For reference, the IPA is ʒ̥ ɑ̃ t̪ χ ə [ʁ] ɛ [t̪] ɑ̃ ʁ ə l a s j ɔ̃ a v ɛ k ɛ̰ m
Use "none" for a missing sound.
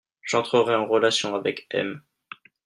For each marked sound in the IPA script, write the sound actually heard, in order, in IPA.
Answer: ʁ, none

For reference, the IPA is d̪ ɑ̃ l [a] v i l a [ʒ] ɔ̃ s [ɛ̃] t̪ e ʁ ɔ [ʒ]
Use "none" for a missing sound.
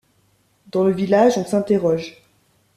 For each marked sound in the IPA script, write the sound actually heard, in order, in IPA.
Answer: ə, ʒ, ɛ̃, ʒ

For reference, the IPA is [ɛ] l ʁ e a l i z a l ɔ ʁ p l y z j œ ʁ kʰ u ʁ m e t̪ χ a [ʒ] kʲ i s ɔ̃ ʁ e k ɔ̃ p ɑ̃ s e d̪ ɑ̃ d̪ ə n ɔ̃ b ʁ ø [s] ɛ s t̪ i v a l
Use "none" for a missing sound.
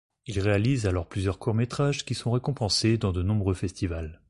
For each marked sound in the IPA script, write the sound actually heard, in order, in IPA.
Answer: i, ʒ, f

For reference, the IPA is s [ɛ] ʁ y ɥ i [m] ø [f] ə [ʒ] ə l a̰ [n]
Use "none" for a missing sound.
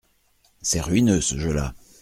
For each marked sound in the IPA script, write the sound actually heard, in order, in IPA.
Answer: ɛ, n, s, ʒ, none

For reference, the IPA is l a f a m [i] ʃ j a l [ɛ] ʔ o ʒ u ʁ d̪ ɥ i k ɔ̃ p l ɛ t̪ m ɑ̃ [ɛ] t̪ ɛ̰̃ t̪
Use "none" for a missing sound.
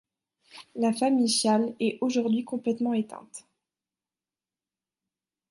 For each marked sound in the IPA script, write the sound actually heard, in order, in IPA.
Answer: i, ɛ, e

